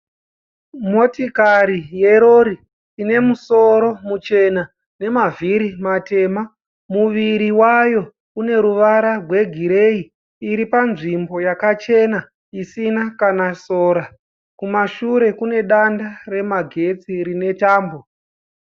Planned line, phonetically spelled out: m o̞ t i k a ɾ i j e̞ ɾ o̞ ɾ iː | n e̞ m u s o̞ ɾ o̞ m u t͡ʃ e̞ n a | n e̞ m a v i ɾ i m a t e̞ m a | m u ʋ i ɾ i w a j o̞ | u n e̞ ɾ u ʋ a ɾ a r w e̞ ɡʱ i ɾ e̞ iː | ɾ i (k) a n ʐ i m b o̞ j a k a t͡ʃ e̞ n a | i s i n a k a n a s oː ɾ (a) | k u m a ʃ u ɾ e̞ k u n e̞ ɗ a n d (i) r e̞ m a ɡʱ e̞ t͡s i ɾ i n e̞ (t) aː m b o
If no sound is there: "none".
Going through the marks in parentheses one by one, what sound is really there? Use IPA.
p, a, a, t

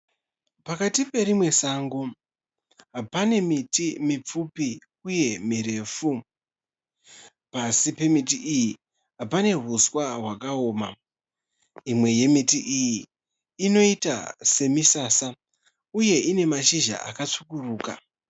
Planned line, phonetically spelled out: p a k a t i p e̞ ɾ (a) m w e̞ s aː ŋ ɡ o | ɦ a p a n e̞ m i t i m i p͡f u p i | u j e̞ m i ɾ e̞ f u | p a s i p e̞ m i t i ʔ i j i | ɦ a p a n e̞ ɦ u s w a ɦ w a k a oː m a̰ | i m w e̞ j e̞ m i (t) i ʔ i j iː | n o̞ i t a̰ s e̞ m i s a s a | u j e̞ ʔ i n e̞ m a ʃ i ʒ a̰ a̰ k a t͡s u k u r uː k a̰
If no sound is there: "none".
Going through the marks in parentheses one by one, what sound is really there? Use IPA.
i, t

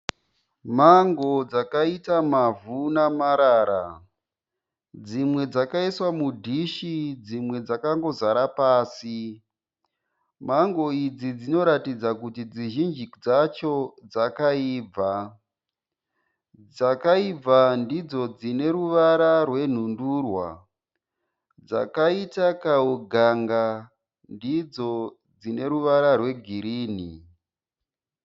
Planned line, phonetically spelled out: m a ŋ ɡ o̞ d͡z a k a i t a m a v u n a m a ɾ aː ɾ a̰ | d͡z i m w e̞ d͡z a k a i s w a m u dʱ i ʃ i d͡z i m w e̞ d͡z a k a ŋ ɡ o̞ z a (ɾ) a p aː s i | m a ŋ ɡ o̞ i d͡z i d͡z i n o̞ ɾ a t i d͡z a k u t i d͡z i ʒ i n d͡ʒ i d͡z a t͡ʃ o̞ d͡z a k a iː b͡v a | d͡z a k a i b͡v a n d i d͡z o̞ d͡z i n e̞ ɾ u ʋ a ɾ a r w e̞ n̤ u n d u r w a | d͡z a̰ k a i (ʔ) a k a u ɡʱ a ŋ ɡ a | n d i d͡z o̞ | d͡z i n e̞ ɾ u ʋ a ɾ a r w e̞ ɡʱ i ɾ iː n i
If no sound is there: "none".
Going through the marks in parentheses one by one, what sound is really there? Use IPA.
ɾ, t

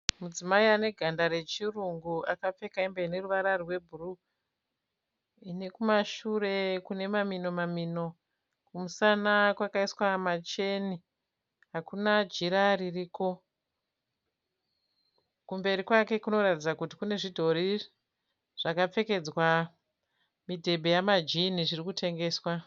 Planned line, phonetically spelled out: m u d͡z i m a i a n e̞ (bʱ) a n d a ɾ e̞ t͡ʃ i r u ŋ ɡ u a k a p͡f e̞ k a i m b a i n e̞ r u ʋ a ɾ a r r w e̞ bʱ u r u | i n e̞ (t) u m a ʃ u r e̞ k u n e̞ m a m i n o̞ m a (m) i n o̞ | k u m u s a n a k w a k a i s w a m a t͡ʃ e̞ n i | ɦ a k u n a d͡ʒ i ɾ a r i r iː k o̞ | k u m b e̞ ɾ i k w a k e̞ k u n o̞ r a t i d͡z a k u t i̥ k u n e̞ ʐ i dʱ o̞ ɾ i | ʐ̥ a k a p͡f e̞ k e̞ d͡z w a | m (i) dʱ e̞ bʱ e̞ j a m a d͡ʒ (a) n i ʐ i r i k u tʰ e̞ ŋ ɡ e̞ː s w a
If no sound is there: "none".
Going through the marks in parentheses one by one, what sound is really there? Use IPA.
ɡʱ, k, m, i, i

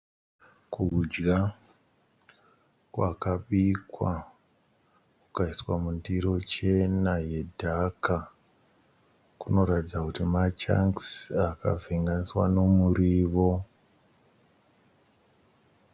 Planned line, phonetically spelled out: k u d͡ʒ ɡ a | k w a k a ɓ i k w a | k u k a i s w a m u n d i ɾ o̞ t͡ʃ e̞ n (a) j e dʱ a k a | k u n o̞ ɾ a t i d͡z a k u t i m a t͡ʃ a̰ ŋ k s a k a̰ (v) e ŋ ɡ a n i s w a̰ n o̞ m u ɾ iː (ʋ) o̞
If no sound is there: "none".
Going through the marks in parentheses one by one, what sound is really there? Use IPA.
a, v, ʋ

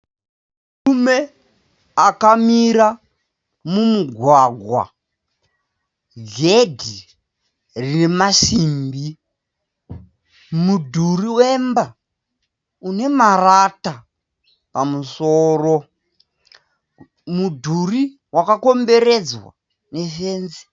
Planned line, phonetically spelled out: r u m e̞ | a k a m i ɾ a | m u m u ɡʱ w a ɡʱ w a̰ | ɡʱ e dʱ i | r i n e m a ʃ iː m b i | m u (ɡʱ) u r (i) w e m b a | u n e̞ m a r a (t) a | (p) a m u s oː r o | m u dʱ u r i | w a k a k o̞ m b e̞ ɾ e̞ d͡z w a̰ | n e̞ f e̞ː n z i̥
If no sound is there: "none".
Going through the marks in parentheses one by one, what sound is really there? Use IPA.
dʱ, i, t, p

